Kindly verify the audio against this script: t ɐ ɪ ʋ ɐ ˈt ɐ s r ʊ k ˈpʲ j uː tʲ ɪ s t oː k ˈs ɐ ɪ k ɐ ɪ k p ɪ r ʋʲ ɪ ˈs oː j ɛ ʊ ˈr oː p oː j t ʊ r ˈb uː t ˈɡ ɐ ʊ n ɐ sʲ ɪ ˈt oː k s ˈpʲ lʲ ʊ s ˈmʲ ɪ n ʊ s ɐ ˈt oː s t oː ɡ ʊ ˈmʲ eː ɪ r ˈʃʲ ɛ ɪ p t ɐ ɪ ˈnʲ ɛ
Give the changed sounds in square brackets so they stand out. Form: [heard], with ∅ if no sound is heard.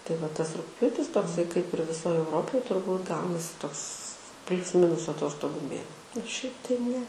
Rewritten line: t ɐ ɪ ʋ ɐ ˈt ɐ s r ʊ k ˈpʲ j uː tʲ ɪ s t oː k ˈs ɐ ɪ k ɐ ɪ [∅] p ɪ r ʋʲ ɪ ˈs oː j ɛ ʊ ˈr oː p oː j t ʊ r ˈb uː t ˈɡ ɐ ʊ n ɐ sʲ ɪ ˈt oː k s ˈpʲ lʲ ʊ s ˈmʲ ɪ n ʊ s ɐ ˈt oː s t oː ɡ ʊ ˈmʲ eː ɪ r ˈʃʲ ɛ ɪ p t ɐ ɪ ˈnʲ ɛ